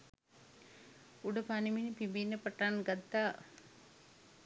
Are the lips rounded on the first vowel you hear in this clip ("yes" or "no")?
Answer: yes